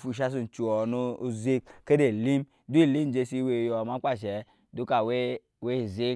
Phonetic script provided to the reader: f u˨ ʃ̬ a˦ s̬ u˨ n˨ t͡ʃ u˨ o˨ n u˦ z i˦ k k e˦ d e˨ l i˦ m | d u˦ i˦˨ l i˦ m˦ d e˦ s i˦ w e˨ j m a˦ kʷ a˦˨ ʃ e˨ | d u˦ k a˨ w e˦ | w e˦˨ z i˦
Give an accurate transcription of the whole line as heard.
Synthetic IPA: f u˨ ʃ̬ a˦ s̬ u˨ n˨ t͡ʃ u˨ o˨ n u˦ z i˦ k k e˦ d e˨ l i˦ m | d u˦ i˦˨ l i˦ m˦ d͡ʒ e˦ s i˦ w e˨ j m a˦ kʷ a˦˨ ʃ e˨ | d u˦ k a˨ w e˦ | w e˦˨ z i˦